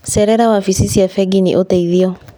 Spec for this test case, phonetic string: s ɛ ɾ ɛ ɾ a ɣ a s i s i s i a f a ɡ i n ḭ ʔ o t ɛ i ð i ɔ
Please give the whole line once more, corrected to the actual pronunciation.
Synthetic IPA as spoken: s ɛ ɾ ɛ ɾ a w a f i s i s i a f ɛ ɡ i n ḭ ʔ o t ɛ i ð i ɔ